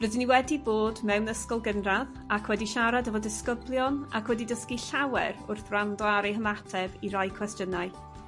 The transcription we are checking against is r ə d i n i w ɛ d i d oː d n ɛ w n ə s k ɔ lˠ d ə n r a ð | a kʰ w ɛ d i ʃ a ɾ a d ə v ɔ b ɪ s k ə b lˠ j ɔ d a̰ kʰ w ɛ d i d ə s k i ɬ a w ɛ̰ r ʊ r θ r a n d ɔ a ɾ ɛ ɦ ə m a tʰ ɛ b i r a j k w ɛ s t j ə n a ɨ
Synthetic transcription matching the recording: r ə d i n i w ɛ d i b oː d m ɛ w n ə s k ɔ lˠ ɡ ə n r a ð | a kʰ w ɛ d i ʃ a ɾ a d ə v ɔ d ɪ s k ə b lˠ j ɔ n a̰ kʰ w ɛ d i d ə s k i ɬ a w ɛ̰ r ʊ r θ r a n d ɔ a ɾ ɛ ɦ ə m a tʰ ɛ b i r a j kʰ w ɛ s t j ə n a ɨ